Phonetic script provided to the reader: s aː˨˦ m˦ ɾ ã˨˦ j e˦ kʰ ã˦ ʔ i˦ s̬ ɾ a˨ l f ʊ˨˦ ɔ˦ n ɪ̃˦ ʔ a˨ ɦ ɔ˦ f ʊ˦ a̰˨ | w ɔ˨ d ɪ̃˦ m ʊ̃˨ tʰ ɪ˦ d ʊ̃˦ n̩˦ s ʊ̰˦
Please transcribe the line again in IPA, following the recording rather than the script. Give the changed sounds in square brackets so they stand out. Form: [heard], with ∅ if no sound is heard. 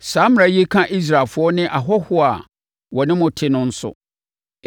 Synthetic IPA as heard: s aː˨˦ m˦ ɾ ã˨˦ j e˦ kʰ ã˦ ʔ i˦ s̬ ɾ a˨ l f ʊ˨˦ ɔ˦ n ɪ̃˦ ʔ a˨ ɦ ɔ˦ [h] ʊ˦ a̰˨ | w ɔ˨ [n] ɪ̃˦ m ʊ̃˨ tʰ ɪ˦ [n] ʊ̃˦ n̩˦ s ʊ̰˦

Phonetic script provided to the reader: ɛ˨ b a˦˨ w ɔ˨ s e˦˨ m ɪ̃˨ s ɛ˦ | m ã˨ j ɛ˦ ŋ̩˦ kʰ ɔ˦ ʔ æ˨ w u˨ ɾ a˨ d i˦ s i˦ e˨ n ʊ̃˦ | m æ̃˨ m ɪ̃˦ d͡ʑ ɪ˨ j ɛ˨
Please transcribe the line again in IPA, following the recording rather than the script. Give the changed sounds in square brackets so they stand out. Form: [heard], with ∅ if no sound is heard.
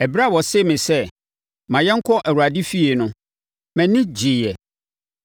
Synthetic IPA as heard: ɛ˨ b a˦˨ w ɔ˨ s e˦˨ m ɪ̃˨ s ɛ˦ | m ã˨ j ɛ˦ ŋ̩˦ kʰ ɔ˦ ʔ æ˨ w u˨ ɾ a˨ d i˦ [f] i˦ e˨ n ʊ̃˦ | m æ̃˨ [n] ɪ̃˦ d͡ʑ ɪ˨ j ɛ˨

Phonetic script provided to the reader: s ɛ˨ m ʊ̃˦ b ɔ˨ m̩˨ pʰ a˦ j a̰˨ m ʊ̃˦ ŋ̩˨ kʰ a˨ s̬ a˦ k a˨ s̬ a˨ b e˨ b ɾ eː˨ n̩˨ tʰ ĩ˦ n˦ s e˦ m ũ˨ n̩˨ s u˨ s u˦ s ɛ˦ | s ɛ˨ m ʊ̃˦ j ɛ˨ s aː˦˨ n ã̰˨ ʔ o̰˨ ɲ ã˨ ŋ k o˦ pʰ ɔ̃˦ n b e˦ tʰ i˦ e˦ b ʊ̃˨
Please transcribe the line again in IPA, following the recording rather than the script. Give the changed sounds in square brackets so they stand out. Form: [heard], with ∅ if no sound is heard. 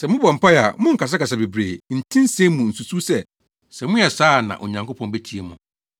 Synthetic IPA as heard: s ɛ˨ m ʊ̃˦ b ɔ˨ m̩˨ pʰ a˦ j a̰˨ m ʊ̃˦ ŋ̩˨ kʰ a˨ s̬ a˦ k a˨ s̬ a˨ b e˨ b ɾ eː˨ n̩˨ tʰ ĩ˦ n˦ s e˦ m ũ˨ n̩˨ s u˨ s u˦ s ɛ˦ | s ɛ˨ m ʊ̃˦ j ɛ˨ s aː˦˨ n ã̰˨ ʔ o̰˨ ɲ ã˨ ŋ k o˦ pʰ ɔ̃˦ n b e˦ tʰ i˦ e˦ [m] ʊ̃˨

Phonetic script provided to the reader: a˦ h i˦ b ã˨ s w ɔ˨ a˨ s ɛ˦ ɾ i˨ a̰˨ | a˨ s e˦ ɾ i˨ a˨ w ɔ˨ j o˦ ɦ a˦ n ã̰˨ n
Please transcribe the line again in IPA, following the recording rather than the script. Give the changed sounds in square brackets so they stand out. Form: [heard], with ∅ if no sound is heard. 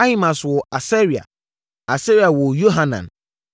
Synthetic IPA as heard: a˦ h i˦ [m] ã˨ s w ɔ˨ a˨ s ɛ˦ ɾ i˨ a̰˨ | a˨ s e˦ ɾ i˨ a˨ w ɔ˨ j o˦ ɦ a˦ n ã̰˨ n

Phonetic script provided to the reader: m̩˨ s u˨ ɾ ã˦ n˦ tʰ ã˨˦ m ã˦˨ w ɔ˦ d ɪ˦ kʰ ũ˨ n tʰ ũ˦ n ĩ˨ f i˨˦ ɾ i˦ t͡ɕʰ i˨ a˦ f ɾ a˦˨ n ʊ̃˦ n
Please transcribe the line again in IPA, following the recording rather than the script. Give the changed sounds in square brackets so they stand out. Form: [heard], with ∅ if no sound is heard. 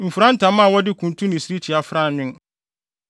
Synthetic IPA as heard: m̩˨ [f] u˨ ɾ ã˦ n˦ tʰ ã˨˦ m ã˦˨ w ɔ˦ d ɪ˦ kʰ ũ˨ n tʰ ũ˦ n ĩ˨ [s] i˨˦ ɾ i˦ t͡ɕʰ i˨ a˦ f ɾ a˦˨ n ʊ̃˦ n

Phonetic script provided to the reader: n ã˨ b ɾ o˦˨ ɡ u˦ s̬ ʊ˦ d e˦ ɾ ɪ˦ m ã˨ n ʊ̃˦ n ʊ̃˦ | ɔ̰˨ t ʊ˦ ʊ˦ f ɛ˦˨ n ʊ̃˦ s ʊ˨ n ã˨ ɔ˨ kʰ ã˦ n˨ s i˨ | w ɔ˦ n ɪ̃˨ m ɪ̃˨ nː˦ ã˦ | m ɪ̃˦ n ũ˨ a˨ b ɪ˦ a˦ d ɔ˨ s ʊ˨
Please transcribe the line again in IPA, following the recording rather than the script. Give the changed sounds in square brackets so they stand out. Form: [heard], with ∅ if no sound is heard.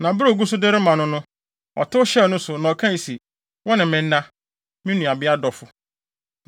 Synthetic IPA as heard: n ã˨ b ɾ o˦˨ ɡ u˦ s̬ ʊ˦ d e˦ ɾ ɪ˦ m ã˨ n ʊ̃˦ n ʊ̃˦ | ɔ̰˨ t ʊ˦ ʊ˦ [ɕ] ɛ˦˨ n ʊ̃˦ s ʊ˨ n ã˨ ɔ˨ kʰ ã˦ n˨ s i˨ | w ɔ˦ n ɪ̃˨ m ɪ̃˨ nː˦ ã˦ | m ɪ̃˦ n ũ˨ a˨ b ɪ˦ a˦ d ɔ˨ [f] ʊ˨

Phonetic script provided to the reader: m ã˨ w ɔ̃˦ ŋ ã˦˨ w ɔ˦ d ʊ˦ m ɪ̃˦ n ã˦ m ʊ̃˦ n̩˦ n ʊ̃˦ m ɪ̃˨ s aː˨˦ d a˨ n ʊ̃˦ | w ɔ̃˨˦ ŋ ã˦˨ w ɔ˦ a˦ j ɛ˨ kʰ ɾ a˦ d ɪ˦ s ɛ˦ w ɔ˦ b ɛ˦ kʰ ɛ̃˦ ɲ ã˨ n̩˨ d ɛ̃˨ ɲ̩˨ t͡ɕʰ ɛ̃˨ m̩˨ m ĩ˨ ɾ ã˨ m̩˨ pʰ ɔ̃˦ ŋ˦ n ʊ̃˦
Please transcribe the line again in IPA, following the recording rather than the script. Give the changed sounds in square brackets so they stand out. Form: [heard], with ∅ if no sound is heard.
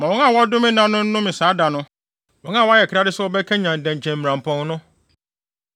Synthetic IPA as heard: m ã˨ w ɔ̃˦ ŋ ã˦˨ w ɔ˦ d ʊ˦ m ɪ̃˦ n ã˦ [n] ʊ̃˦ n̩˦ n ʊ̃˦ m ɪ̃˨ s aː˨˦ d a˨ n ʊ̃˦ | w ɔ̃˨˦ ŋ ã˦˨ w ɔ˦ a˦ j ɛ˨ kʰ ɾ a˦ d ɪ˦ s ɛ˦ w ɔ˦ b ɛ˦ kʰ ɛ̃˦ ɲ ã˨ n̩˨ d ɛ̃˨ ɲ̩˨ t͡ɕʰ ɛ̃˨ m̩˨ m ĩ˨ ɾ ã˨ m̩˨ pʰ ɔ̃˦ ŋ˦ n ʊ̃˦

